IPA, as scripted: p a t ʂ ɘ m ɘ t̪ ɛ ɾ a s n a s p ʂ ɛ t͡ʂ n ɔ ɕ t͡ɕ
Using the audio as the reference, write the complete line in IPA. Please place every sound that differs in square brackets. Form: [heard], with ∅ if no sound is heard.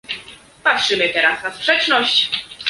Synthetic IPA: p a t ʂ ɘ m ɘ t̪ ɛ ɾ a s n a s p ʂ ɛ t͡ʂ n ɔ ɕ t͡ɕ